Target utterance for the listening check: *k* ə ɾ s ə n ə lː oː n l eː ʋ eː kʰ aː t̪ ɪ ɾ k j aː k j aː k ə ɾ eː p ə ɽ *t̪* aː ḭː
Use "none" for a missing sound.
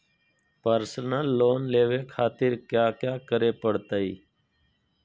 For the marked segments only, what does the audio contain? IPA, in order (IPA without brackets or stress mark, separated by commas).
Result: p, t̪